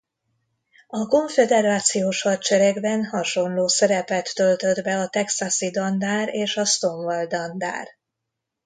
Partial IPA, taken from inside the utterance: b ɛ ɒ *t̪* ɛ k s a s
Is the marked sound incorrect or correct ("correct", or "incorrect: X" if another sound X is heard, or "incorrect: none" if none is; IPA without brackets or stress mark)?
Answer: correct